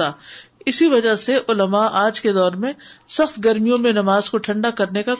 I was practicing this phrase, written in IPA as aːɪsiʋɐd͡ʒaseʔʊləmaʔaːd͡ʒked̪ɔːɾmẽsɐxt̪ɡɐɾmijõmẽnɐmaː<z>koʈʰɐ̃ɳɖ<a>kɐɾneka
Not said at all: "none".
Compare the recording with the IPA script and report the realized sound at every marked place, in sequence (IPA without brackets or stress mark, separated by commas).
z, a